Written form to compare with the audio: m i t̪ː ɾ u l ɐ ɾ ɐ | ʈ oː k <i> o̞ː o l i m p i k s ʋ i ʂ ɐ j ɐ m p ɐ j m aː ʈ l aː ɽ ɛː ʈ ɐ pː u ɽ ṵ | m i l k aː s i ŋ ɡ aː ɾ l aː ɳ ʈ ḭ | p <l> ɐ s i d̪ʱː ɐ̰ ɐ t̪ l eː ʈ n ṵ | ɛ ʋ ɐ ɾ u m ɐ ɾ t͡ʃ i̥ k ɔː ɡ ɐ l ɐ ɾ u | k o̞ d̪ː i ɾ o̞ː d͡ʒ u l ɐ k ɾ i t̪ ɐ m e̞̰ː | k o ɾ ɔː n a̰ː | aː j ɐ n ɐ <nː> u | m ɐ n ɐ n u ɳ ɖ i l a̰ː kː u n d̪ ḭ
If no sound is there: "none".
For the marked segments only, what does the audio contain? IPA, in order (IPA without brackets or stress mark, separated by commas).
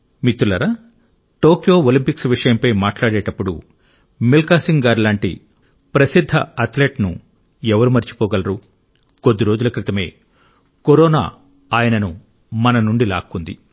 j, ɾ, n